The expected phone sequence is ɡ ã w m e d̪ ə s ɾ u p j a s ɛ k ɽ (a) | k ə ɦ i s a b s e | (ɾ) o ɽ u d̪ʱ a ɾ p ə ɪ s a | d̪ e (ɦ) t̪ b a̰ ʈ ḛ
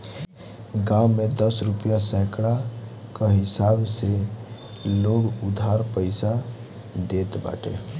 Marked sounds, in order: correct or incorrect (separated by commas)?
correct, incorrect, incorrect